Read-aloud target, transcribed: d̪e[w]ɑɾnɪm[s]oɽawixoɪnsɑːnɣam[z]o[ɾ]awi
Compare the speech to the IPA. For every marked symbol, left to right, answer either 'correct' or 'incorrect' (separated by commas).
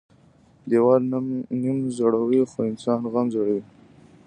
correct, incorrect, correct, incorrect